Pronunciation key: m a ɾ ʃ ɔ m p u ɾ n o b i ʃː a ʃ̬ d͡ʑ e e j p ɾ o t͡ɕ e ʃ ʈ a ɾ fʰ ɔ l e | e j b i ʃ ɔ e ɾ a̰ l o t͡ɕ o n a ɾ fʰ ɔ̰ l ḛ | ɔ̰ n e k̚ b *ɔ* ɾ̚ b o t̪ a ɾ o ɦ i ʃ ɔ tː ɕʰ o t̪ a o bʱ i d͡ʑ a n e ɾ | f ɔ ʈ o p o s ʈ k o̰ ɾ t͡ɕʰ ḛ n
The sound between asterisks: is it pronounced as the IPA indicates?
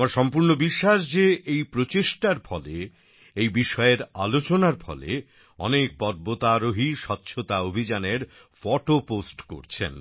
yes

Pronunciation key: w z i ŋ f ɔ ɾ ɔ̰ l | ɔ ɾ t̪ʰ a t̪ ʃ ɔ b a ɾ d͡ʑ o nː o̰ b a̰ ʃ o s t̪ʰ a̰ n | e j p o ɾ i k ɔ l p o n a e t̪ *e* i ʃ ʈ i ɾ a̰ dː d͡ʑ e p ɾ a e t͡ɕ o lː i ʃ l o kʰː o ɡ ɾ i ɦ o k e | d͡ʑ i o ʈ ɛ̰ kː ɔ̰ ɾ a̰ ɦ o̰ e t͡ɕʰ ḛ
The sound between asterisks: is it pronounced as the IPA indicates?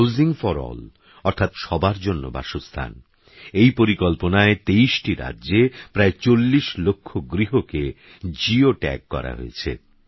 yes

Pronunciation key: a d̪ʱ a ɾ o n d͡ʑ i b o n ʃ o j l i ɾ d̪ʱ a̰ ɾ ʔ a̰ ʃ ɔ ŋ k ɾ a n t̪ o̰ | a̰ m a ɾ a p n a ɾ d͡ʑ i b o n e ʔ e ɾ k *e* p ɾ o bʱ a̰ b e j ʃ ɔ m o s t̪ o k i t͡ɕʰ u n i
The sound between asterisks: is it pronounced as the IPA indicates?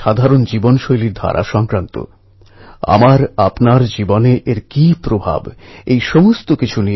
no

